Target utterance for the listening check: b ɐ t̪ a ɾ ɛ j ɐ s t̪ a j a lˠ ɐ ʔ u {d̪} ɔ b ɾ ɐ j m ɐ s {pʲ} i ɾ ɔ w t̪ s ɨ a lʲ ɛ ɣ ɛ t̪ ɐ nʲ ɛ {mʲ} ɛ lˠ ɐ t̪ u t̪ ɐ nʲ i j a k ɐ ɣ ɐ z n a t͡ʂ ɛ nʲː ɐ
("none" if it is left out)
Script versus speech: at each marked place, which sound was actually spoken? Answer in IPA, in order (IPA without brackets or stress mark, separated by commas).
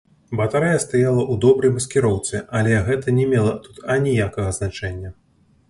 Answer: d̪, kʲ, mʲ